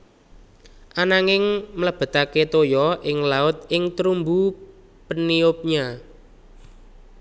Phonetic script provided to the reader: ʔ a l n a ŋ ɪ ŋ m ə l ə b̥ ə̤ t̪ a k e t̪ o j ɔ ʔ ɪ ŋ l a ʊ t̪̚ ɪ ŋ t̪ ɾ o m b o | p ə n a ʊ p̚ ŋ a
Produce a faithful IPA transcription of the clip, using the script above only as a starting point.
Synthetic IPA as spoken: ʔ a n a ŋ ɪ ŋ m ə l ə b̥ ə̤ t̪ a k e t̪ o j ɔ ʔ ɪ ŋ l a ʊ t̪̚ ɪ ŋ t̪ ɾ u m b u | p ə n i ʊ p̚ ɲ a